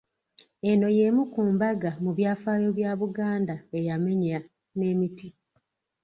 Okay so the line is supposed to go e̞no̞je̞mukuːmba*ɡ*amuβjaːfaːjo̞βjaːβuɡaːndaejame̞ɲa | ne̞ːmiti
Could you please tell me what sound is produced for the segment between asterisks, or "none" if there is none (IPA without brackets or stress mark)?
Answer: ɡ